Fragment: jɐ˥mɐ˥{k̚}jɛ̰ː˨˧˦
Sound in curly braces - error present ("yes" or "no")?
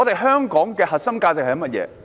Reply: yes